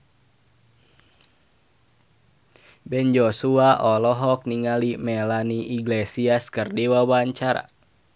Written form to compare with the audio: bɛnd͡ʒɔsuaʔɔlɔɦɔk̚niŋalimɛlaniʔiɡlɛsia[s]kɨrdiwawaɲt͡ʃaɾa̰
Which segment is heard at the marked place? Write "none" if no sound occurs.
s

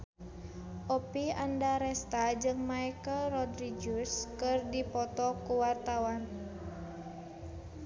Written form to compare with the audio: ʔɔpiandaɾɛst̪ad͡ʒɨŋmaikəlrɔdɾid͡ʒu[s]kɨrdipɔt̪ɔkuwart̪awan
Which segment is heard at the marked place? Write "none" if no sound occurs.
s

